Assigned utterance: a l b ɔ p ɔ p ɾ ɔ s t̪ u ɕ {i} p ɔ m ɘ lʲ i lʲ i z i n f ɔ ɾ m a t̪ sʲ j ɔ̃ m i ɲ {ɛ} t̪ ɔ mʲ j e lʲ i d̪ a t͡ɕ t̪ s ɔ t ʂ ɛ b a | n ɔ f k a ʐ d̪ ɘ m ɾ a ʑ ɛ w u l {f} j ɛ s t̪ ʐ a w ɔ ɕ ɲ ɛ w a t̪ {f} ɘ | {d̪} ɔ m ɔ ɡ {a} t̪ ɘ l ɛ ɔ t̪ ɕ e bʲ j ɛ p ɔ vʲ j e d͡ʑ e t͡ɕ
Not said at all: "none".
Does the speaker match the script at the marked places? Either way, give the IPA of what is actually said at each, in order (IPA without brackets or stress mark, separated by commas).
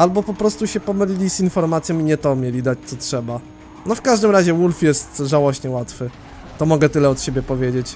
ɛ, ɛ, f, f, t̪, ɛ